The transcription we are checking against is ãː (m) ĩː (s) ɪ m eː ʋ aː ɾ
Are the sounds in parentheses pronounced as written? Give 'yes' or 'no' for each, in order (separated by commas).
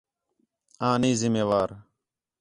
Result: no, no